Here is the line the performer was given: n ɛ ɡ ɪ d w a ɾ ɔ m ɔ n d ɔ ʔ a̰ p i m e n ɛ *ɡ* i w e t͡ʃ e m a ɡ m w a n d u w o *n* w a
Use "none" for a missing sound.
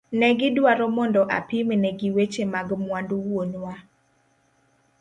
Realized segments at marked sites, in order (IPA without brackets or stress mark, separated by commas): ɡ, n